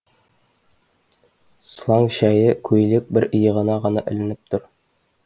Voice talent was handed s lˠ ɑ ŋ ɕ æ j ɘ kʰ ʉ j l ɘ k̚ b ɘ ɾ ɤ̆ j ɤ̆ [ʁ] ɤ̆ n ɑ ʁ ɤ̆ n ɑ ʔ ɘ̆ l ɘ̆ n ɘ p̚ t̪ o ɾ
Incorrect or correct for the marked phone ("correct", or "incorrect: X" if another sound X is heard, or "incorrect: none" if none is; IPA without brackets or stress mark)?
correct